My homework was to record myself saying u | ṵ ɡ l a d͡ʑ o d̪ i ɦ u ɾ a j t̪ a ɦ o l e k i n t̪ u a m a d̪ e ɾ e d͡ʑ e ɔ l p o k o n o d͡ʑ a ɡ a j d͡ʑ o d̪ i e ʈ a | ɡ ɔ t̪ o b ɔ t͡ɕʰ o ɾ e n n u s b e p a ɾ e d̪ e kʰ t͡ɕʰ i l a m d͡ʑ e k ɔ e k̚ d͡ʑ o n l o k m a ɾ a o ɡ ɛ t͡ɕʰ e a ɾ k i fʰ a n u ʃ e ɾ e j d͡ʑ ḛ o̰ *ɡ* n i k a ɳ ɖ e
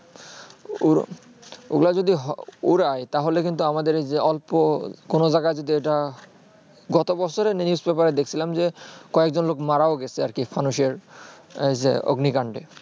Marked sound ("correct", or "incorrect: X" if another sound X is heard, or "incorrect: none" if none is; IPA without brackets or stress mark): correct